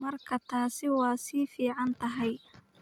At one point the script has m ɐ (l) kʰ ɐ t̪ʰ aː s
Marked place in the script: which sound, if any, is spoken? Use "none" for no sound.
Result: r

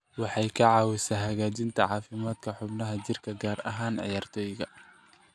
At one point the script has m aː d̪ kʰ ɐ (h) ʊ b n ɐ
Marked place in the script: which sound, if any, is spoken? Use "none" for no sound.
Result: ħ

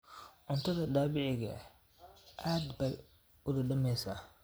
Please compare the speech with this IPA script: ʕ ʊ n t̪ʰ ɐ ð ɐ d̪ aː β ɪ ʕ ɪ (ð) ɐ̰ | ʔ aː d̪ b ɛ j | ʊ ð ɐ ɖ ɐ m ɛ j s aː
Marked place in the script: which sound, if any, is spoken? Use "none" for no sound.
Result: ɣ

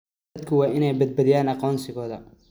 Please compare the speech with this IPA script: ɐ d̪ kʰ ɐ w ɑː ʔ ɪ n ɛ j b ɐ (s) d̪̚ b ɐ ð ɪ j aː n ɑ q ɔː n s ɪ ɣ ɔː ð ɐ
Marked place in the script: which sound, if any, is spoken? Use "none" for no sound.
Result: none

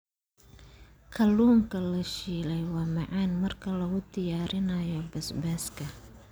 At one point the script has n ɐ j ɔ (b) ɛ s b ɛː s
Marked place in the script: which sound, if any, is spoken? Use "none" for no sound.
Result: b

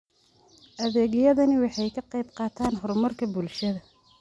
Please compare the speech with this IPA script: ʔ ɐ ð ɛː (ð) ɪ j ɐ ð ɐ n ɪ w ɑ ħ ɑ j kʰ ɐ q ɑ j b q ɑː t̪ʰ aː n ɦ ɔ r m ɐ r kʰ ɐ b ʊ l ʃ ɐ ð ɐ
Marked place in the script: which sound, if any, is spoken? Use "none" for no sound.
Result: ɣ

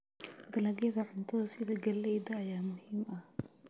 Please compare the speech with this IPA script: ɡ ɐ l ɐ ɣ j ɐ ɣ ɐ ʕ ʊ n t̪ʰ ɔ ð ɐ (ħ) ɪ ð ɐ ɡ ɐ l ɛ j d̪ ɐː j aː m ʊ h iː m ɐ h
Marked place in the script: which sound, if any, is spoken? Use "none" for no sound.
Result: s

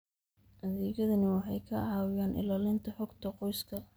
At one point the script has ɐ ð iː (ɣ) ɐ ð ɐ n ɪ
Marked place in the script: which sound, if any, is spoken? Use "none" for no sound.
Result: ɣ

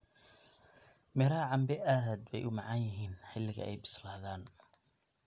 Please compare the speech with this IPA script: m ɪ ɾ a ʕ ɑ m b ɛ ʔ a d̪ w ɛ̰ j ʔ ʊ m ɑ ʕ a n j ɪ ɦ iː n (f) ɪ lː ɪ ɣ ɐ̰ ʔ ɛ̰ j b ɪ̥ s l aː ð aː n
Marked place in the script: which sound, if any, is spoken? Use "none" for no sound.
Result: ħ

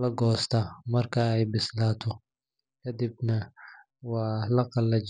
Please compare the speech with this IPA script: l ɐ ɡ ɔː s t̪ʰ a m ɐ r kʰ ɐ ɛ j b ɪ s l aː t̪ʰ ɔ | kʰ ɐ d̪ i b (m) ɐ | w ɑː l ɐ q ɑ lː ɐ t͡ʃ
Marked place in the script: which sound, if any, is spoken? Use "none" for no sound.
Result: n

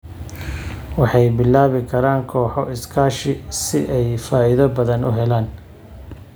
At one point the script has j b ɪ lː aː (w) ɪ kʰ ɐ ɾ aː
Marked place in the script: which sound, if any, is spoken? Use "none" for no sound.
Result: β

